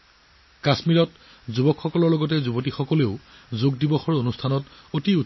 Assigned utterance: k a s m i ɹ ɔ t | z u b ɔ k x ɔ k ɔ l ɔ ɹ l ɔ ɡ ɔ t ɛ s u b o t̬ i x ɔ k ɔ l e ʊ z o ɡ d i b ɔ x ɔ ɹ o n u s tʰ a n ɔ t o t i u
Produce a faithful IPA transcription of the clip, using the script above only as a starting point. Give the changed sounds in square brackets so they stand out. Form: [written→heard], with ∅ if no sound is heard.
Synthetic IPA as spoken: k a s m i ɹ ɔ t | z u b ɔ k x ɔ k ɔ l ɔ ɹ l ɔ ɡ ɔ t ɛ [s→z] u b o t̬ i x ɔ k ɔ l e ʊ z o ɡ d i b ɔ x ɔ ɹ o n u s tʰ a n ɔ t o t i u